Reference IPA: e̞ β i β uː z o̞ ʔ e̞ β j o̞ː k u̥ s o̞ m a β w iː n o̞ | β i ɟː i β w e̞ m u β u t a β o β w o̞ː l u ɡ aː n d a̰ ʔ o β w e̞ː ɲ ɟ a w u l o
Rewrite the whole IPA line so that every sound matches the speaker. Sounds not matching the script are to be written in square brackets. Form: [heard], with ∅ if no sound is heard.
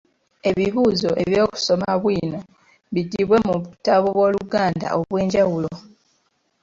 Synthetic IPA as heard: e̞ β i β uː z o̞ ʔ e̞ β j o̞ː k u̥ s o̞ m a β w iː n o̞ | β i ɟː i β w e̞ m u β u t a β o β w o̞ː l u ɡ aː n d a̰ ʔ o β w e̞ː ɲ ɟ a w u l o

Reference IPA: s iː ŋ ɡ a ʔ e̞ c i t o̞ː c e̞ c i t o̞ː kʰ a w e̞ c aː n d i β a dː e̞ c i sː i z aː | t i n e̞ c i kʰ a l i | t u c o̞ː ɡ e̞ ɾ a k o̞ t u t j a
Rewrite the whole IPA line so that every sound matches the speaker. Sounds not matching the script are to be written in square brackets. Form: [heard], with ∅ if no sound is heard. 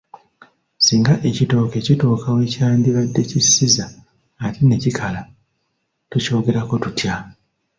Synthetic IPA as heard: s iː ŋ ɡ a ʔ e̞ c i t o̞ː [k] e̞ c i t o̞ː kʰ a w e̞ c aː n d i β a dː e̞ c i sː i z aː | t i n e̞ c i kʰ a l [a] | t u c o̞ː ɡ e̞ ɾ a k o̞ t u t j a

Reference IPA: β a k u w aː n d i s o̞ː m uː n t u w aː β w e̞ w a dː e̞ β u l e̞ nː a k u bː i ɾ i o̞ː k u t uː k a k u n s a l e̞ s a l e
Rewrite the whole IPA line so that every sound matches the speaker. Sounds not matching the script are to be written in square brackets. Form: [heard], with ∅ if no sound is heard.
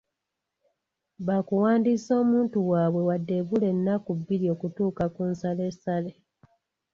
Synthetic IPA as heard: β a k u w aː n d i s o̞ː m uː n t u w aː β w e̞ w a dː e̞ β u l e̞ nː a k u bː i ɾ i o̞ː k u t uː k a k u n s a l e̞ s a l e

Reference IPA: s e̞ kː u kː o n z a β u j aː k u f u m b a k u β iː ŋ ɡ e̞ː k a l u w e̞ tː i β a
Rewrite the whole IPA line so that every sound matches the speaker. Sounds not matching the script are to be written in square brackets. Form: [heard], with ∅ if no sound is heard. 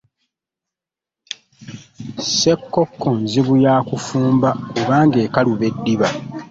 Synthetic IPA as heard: s e̞ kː [o] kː o n z [i] β u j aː k u f [uː] m b a k u β [aː] ŋ ɡ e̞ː k a l u [β] e̞ [dː] i β a

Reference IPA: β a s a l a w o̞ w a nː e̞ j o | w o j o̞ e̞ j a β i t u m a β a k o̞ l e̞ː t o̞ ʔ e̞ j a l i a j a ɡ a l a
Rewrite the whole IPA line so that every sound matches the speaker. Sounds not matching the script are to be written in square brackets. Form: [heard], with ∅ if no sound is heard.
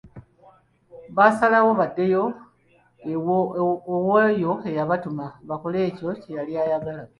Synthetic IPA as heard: β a s a l a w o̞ [β] a [dː] e̞ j o | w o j o̞ e̞ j a β [a] t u m a β a k o̞ l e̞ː [c] o̞ [c] e̞ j a l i a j a ɡ a l a

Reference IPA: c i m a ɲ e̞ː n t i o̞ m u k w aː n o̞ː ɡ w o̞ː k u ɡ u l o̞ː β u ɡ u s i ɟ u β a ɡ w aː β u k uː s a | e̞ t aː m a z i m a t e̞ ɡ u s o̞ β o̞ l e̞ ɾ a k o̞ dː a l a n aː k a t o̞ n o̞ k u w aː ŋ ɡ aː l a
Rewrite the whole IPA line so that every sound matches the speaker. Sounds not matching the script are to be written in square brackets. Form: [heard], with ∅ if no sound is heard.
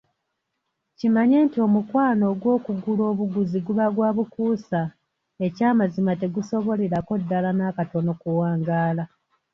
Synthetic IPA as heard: c i m a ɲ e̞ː n t i o̞ m u k w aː n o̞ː ɡ w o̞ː k u ɡ u l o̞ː β u ɡ u [z] i [ɡ] u β a ɡ w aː β u k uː s a | e̞ [c] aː m a z i m a t e̞ ɡ u s o̞ β o̞ l e̞ ɾ a k o̞ dː a l a n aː k a t o̞ n o̞ k u w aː ŋ ɡ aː l a

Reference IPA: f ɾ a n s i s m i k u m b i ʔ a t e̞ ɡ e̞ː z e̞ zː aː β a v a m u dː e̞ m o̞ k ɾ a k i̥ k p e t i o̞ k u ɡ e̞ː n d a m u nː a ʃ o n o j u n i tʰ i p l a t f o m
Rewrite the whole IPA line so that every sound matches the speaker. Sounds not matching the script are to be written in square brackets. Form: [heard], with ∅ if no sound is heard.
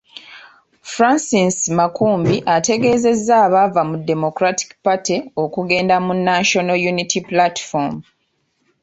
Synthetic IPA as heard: f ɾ a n s i s m [a] k [uː] m b i ʔ a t e̞ ɡ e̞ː z e̞ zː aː β a v a m u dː e̞ m o̞ k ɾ a [t] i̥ k p [a] t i o̞ k u ɡ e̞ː n d a m u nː a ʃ o n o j u n i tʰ i p l a t f o m

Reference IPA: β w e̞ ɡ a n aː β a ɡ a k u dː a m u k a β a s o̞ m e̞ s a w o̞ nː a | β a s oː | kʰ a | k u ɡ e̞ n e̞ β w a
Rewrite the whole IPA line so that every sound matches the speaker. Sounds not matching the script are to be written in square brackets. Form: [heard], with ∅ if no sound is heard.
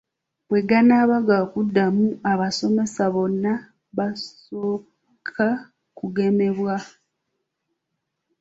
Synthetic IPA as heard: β w e̞ ɡ a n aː β a ɡ a k u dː a m u [∅] a β a s o̞ m e̞ s a [β] o̞ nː a | β a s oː | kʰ a | k u ɡ e̞ [m] e̞ β w a

